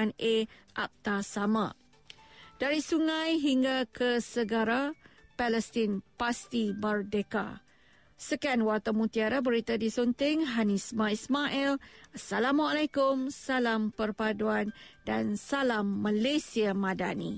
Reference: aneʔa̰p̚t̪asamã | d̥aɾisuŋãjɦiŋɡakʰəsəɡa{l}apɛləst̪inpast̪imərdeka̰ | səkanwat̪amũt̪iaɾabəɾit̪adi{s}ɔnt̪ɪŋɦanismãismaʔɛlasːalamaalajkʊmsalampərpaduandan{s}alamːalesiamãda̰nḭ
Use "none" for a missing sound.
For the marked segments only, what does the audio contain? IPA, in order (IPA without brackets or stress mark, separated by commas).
ɾ, s, s